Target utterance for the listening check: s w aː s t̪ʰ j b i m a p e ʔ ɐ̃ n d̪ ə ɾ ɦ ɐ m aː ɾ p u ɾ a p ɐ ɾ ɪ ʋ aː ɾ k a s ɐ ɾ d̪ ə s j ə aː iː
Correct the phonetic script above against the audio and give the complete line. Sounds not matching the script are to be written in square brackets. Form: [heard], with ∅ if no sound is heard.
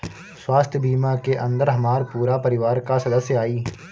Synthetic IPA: s w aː s t̪ʰ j b [iː] m a [k] e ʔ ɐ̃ n d̪ ə ɾ ɦ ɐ m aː ɾ p [uː] ɾ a p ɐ ɾ ɪ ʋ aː ɾ k a s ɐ [∅] d̪ ə s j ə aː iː